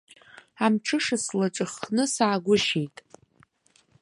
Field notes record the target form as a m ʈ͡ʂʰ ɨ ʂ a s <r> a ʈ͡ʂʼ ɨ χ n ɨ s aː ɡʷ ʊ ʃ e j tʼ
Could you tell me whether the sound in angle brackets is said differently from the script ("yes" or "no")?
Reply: yes